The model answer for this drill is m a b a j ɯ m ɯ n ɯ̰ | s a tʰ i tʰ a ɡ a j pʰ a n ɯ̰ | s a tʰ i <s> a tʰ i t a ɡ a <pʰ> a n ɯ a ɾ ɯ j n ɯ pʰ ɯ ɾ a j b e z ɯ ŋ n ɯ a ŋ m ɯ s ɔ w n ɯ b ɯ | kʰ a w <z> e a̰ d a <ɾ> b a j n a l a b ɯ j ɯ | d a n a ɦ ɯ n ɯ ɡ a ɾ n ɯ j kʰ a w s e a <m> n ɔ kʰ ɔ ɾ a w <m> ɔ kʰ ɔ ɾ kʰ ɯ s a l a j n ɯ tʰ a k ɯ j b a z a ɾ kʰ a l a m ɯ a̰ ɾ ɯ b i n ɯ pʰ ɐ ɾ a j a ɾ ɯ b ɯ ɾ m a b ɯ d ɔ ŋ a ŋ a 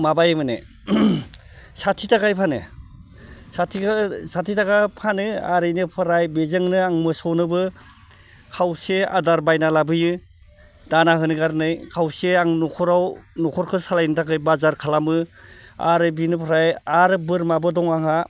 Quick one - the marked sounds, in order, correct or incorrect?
correct, correct, incorrect: s, correct, incorrect: ŋ, incorrect: n

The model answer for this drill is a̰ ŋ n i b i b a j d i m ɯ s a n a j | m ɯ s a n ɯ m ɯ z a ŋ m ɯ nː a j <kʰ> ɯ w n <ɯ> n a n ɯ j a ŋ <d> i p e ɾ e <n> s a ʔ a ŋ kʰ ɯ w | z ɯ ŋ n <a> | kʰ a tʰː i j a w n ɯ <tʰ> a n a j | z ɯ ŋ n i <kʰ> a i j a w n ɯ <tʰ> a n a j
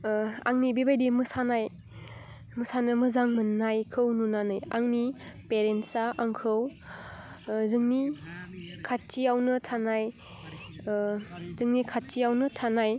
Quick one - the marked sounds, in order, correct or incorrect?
correct, incorrect: u, incorrect: n, correct, incorrect: i, correct, correct, correct

